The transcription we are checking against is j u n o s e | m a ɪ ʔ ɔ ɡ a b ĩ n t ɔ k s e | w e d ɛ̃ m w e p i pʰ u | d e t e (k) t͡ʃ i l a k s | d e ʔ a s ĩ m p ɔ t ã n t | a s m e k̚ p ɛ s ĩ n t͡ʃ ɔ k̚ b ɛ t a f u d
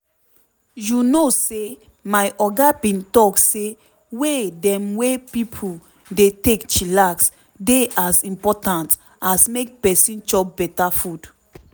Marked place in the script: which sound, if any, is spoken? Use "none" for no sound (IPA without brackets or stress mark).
k